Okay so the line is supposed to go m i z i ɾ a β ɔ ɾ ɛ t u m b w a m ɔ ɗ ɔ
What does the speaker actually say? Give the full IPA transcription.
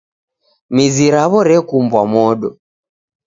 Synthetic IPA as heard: m i z i ɾ a β ɔ ɾ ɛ k u m b w a m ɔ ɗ ɔ